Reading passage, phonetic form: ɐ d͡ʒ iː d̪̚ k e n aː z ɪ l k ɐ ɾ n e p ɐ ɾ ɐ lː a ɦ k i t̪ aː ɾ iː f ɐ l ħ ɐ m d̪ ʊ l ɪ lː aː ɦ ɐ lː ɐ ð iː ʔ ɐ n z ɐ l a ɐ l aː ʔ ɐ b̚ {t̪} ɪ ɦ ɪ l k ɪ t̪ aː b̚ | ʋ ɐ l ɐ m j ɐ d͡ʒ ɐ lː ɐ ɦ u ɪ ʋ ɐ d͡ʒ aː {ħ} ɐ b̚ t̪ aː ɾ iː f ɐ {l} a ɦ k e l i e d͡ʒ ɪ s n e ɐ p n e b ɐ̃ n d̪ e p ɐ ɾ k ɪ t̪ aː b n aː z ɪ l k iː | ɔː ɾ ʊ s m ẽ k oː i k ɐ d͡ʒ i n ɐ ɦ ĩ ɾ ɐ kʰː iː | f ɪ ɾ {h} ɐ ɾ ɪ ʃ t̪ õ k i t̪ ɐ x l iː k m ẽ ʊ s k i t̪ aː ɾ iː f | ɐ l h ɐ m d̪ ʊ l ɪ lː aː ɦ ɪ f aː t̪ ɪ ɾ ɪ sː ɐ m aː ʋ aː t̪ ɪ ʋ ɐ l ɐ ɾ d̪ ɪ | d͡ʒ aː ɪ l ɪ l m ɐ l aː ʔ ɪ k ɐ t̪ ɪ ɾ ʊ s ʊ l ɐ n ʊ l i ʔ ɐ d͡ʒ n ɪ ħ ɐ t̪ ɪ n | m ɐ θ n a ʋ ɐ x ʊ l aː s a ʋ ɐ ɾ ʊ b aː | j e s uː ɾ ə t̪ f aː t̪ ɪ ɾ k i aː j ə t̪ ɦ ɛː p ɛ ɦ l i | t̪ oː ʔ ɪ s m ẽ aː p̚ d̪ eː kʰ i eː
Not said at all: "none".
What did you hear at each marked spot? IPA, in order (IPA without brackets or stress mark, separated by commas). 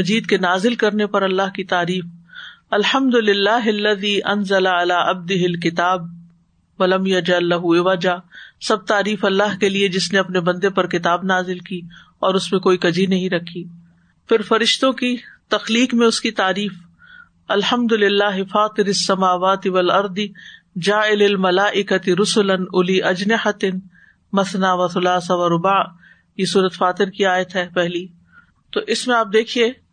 d̪, s, lː, f